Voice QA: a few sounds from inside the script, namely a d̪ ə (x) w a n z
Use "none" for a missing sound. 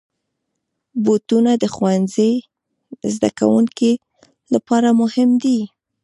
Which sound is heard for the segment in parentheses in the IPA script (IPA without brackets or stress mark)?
x